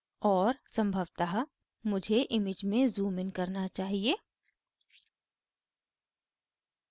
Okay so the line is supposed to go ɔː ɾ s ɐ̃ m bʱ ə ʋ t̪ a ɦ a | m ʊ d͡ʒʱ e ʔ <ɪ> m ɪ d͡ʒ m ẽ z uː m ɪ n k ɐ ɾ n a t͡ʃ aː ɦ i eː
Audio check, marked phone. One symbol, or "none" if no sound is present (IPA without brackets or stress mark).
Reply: ɪ